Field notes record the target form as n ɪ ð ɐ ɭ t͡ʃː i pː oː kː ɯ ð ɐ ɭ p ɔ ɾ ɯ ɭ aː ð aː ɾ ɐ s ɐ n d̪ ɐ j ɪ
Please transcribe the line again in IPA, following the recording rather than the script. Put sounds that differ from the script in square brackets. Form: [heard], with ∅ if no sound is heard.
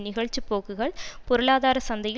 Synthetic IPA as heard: n ɪ [ɣ] ɐ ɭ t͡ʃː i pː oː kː ɯ [ɣ] ɐ ɭ p ɔ ɾ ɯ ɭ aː ð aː ɾ ɐ s ɐ n d̪ ɐ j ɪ